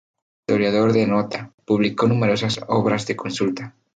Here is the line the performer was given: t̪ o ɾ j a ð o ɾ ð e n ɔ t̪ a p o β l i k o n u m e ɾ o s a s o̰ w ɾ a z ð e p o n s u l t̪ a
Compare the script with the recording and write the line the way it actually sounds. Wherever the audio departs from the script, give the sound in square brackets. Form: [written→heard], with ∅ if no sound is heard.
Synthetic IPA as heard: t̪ o ɾ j a ð o ɾ ð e n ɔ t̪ a p [o→u] β l i k o n u m e ɾ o s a s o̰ [w→β] ɾ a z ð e [p→k] o n s u l t̪ a